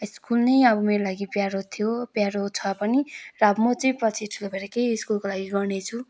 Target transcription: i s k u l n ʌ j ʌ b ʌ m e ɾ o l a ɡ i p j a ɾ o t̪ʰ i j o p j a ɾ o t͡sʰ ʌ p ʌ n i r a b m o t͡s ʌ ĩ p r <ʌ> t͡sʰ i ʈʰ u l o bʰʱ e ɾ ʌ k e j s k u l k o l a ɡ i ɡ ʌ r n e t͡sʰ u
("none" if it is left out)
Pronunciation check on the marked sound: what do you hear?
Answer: ʌ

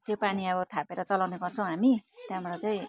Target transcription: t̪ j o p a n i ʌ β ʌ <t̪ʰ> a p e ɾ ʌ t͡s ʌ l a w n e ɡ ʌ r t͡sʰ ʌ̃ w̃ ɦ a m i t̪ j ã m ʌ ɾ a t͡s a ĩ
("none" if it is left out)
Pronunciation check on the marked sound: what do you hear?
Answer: t̪ʰ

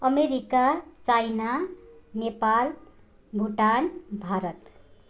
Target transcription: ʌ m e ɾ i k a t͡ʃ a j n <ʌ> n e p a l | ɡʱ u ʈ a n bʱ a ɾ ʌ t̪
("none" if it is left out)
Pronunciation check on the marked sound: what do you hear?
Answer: a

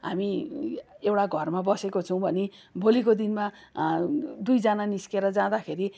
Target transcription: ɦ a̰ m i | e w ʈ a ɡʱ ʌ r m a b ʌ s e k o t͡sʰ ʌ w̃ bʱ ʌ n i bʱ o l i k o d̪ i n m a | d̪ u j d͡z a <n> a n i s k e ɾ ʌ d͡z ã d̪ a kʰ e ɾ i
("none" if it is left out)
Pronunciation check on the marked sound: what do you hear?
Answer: n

